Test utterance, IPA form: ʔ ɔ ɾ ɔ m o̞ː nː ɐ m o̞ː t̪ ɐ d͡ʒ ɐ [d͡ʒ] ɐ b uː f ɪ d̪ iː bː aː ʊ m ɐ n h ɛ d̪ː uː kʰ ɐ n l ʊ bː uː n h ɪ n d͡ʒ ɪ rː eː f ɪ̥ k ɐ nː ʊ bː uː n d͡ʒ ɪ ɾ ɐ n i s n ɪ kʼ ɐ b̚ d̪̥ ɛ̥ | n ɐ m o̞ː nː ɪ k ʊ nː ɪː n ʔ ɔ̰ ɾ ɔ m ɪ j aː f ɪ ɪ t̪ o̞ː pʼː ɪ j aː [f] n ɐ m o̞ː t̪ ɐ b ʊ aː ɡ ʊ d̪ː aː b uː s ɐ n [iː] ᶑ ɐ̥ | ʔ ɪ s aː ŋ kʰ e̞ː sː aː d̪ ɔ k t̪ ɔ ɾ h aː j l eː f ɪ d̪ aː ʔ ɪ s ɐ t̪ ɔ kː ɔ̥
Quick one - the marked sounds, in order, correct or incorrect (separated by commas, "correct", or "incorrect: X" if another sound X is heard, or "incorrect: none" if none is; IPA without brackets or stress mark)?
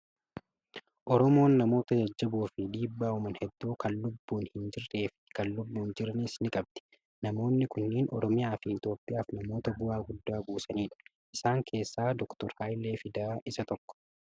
incorrect: d͡ʒː, correct, correct